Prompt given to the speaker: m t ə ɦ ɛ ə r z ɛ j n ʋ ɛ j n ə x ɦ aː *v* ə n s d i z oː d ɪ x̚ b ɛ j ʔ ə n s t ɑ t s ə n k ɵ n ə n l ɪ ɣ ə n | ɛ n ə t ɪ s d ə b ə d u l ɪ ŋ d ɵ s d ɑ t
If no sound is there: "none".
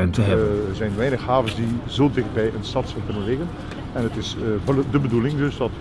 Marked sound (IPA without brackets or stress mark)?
v